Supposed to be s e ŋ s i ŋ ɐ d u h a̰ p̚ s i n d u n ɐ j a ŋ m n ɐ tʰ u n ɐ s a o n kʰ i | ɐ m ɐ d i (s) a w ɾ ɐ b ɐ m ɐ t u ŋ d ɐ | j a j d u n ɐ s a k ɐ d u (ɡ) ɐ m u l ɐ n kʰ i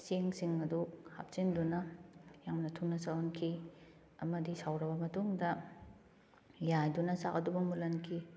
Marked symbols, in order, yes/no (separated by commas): yes, no